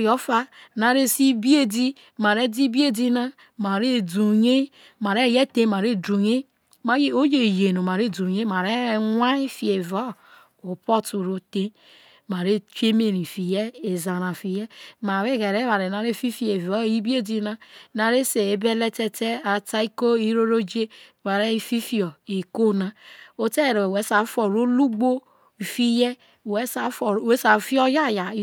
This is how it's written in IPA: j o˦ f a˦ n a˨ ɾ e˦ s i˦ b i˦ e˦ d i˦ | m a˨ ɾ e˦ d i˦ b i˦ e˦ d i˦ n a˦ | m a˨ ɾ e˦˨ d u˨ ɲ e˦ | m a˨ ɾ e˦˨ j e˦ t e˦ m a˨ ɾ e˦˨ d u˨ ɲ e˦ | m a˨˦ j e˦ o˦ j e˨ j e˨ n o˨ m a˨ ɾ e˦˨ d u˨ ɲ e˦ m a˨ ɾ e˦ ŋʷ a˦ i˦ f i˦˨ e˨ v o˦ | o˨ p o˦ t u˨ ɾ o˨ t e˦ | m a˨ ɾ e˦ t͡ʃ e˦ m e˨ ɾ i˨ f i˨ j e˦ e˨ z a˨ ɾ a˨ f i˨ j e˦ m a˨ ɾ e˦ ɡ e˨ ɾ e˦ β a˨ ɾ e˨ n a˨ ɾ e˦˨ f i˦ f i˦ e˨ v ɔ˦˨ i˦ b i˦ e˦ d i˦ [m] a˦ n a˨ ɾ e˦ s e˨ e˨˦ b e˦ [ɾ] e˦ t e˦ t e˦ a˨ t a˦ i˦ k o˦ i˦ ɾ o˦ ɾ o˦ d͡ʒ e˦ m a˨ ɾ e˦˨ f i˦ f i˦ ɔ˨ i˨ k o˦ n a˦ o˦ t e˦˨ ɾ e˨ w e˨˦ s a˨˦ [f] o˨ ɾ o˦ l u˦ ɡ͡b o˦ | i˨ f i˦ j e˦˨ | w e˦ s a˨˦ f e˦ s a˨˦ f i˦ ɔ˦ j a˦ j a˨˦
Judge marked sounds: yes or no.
no, no, yes

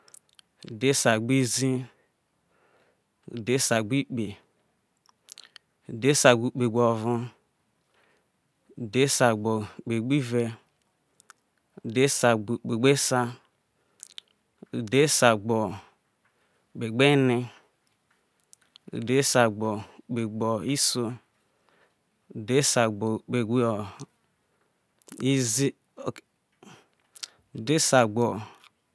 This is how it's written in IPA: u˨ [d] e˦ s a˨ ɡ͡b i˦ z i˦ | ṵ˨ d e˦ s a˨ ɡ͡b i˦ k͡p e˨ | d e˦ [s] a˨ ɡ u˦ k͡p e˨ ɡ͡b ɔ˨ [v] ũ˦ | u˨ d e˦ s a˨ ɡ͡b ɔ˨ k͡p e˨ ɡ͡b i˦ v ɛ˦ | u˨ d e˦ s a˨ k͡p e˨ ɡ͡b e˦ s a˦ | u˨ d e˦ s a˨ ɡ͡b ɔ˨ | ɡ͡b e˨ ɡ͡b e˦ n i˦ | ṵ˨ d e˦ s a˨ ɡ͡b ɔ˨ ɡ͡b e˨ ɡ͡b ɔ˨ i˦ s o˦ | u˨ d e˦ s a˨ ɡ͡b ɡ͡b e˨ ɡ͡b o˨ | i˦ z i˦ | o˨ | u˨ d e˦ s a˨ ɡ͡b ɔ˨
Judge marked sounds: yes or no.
yes, yes, yes

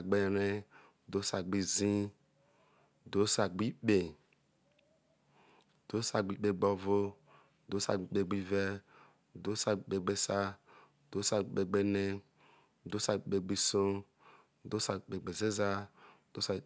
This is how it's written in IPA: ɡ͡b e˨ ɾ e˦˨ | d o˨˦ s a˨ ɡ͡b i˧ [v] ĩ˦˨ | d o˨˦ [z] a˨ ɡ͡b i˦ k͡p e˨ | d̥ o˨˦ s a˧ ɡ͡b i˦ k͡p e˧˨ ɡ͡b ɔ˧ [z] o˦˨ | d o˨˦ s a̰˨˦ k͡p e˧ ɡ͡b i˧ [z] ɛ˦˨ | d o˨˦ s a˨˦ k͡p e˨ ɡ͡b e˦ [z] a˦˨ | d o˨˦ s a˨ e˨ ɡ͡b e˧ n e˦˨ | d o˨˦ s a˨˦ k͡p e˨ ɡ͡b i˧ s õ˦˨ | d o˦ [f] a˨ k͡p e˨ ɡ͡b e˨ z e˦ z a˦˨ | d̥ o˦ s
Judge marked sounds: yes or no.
no, no, no, no, no, no

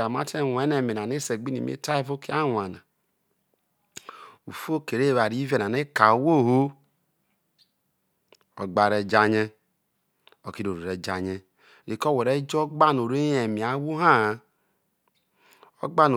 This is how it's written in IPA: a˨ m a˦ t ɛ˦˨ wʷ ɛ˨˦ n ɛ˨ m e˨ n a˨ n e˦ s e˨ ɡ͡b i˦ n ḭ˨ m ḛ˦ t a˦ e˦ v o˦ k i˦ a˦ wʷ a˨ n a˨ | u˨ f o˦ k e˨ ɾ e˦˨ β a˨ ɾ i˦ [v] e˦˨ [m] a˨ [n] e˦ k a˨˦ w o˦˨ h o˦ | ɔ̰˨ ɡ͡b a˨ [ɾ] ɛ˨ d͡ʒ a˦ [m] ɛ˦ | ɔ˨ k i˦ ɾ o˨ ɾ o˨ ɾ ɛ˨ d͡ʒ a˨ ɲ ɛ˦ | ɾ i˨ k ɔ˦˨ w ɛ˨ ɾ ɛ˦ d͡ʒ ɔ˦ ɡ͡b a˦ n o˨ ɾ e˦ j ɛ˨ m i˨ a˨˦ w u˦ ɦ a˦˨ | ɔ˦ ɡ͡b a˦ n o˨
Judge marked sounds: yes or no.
yes, no, yes, yes, no

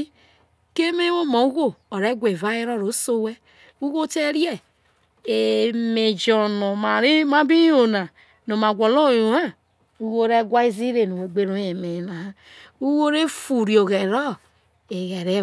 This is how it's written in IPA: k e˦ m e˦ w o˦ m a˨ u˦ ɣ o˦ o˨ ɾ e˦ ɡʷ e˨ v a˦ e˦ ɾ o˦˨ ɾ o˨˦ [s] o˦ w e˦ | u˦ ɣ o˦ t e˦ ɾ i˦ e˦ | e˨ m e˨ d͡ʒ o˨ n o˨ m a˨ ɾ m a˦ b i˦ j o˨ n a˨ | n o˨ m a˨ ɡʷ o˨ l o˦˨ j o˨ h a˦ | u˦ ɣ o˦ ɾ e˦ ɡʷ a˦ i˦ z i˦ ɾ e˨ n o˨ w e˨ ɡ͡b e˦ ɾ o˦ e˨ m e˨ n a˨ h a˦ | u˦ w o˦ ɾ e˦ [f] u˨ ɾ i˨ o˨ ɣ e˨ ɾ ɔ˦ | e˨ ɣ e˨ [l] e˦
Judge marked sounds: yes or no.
yes, yes, no

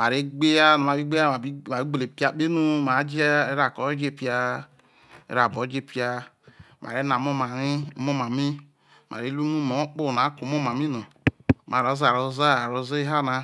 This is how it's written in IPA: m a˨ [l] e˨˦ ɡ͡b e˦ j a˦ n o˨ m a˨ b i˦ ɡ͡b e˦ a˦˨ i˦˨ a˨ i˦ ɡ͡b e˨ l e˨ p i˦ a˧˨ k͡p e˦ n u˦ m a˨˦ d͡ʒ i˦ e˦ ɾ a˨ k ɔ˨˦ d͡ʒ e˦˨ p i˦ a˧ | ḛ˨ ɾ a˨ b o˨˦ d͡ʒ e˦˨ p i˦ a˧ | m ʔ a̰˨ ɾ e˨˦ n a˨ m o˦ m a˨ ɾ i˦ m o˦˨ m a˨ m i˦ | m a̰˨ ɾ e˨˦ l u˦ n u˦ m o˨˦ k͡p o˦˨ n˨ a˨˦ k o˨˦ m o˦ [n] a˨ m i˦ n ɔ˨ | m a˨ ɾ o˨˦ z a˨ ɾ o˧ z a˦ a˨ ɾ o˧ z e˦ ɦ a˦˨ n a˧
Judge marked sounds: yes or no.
no, no

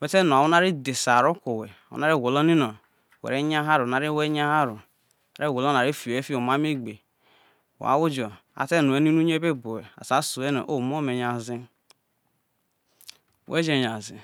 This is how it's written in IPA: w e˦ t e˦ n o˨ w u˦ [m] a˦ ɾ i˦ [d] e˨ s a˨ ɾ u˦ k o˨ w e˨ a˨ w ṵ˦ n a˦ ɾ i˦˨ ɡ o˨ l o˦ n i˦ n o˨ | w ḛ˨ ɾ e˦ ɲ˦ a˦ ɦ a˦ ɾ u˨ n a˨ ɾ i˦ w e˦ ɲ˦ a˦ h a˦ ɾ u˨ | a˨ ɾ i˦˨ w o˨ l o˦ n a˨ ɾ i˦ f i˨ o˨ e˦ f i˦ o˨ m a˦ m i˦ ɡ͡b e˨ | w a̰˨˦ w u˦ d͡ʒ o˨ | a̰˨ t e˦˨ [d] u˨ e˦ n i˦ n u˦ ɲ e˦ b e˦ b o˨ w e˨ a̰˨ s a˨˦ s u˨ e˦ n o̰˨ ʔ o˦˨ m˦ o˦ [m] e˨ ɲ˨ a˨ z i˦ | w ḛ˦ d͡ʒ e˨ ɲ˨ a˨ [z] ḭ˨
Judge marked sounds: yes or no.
no, yes, no, yes, yes

